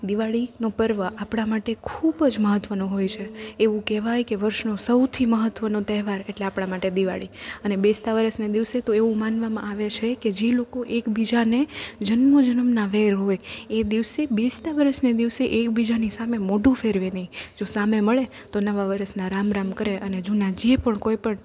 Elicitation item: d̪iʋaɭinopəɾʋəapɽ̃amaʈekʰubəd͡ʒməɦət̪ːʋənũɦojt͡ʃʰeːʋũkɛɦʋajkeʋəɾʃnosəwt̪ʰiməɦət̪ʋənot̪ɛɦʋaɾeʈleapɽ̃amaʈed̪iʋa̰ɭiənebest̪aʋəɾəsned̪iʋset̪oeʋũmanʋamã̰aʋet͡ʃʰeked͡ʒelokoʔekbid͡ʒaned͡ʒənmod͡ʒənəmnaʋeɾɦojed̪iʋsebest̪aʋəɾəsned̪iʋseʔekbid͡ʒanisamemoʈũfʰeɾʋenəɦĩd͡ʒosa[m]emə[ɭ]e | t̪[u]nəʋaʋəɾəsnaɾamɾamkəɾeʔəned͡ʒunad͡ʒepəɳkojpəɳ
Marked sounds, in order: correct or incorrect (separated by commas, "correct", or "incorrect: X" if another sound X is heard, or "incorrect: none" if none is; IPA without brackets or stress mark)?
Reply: correct, correct, incorrect: o